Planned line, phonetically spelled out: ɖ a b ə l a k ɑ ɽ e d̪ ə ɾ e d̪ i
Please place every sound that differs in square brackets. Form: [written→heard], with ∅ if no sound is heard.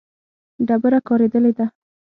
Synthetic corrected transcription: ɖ a b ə [l→ɾ] a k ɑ [ɽ→ɾ] e d̪ ə [ɾ→l] e d̪ [i→a]